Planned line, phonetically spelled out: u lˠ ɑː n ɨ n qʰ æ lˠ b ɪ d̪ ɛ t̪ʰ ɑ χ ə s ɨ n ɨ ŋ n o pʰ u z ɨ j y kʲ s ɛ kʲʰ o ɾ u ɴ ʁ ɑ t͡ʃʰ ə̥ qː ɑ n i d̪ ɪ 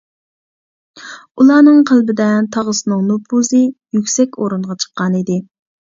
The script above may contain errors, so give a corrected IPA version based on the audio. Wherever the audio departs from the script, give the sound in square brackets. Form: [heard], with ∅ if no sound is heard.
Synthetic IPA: u lˠ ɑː n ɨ [ŋ] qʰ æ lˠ b ɪ d̪ ɛ t̪ʰ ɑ [ʁ] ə s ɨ n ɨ ŋ n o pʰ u z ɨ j y kʲ s ɛ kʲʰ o ɾ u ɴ ʁ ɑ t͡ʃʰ ə̥ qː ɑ n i d̪ ɪ